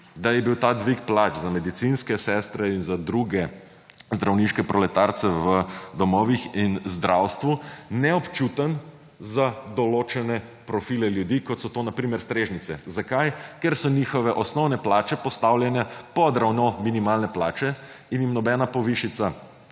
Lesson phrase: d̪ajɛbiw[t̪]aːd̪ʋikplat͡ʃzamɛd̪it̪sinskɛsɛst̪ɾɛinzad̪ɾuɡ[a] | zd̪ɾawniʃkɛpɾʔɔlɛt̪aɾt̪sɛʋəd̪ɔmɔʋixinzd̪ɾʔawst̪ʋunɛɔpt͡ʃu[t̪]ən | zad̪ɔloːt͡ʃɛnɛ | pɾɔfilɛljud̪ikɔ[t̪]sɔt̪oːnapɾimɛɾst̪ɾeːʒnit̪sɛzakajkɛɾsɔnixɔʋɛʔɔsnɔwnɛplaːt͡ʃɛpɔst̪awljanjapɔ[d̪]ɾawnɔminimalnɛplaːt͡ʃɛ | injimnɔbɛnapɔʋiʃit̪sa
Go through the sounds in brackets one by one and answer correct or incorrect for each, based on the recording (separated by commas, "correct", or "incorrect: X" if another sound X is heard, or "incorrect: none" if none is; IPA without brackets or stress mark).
correct, incorrect: ɛ, correct, correct, correct